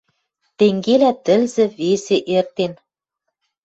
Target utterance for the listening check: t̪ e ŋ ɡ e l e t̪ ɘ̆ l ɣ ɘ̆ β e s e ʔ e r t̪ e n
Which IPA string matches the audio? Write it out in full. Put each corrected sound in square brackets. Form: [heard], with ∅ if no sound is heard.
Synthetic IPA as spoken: t̪ e ŋ ɡ e l [æ] t̪ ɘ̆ l [z] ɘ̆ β e s e ʔ e r t̪ e n